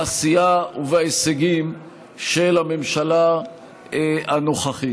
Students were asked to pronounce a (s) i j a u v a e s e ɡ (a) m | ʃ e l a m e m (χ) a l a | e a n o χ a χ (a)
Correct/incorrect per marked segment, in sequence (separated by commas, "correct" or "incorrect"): correct, incorrect, incorrect, incorrect